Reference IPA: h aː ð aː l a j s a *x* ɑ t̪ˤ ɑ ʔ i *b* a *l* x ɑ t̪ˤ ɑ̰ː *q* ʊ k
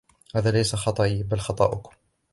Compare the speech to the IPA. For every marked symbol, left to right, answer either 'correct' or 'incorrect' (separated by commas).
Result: correct, correct, correct, incorrect